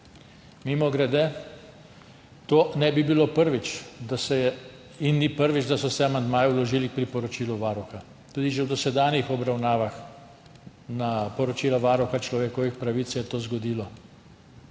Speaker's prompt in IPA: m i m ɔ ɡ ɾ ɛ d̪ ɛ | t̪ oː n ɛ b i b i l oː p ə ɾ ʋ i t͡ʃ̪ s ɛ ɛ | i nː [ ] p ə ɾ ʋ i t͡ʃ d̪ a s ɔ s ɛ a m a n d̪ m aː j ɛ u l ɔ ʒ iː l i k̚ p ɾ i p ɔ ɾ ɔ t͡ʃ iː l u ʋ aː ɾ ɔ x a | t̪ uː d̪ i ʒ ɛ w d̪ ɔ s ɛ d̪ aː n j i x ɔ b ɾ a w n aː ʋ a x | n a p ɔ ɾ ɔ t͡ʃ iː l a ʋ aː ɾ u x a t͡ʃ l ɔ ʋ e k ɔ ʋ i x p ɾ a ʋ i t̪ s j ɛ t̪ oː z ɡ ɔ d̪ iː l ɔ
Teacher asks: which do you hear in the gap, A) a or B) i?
B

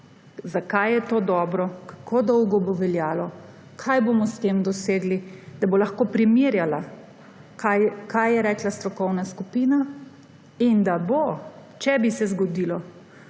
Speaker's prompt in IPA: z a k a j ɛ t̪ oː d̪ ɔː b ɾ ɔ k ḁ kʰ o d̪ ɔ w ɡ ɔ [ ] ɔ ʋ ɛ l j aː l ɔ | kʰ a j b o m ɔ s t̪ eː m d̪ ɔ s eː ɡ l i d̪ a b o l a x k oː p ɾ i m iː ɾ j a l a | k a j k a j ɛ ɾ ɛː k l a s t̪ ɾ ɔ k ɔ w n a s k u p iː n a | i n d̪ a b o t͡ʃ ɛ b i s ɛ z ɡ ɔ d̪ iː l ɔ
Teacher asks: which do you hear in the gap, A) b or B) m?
A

